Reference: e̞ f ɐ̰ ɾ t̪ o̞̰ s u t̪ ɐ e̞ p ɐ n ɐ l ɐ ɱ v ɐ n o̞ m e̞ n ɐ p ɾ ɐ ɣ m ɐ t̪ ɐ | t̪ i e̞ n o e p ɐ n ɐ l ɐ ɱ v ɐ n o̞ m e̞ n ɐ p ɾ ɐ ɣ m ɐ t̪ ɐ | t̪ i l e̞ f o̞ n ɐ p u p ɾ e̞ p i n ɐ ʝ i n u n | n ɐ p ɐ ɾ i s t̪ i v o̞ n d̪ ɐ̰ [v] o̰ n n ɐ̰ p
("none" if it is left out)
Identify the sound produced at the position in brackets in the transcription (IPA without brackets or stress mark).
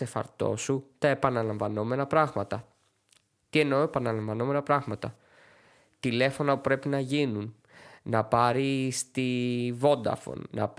f